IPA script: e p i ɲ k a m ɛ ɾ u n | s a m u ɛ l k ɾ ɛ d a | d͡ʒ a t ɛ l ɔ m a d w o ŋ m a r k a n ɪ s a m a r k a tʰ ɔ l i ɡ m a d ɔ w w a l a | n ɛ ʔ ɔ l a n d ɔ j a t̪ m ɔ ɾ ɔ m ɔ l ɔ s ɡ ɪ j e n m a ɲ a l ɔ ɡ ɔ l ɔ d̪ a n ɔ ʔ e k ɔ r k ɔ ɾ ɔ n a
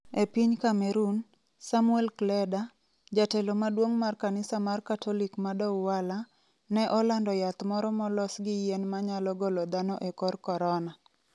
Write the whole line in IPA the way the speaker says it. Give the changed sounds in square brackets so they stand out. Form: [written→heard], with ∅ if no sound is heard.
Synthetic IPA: e p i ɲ k a m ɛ ɾ u n | s a m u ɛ l k [ɾ→l] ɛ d a | d͡ʒ a t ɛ l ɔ m a d w o ŋ m a r k a n ɪ s a m a r k a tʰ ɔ l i [ɡ→k] m a d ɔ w w a l a | n ɛ ʔ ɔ l a n d ɔ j a t̪ m ɔ ɾ ɔ m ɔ l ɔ s ɡ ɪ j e n m a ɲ a l ɔ ɡ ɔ l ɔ d̪ a n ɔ ʔ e k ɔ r k ɔ ɾ ɔ n a